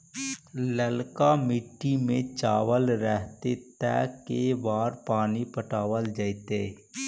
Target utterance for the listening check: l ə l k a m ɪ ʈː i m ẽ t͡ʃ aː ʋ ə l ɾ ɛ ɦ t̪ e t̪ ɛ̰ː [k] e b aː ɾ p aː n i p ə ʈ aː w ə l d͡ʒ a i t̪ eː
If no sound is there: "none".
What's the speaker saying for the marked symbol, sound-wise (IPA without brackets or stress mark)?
k